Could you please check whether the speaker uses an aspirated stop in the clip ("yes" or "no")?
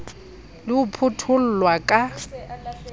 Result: yes